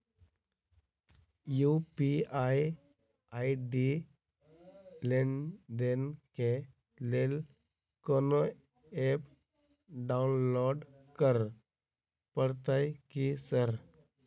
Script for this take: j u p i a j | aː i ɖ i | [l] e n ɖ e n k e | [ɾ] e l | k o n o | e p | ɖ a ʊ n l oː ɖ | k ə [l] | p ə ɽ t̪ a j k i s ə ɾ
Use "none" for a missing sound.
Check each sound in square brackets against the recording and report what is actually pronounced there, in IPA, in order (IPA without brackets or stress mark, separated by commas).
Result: l, l, ɾ